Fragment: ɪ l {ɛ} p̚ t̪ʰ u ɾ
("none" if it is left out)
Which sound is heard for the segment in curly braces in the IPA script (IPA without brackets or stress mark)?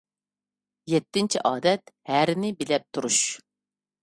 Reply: ɛ